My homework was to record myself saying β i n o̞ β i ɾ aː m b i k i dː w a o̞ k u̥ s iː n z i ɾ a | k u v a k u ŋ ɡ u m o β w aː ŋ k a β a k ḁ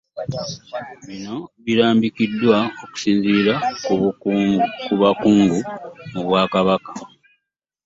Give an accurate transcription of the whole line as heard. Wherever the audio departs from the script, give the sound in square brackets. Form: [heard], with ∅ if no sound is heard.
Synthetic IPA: β i n o̞ β i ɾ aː m b i k i dː w a o̞ k u̥ s iː n z i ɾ a | k u [β] a k [uː] ŋ ɡ u m [u] β w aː [∅] k a β a k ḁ